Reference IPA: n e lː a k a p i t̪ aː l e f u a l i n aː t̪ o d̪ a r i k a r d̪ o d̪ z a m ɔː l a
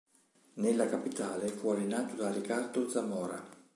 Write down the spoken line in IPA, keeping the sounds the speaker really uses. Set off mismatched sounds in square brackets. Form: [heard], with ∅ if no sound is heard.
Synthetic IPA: n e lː a k a p i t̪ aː l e f u a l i n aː t̪ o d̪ a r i k a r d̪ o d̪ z a m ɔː [ɾ] a